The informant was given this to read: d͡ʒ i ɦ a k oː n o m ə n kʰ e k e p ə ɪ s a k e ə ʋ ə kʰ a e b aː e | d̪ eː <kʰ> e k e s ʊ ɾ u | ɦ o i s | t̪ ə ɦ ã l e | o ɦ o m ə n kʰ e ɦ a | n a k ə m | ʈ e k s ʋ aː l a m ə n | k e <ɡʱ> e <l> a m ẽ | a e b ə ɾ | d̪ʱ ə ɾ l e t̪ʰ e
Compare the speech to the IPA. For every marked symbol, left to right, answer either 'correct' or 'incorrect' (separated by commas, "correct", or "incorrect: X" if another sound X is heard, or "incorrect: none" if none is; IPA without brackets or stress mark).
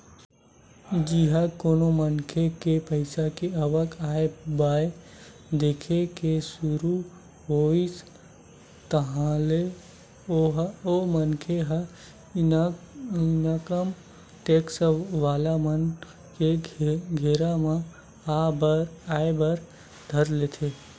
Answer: correct, correct, incorrect: ɾ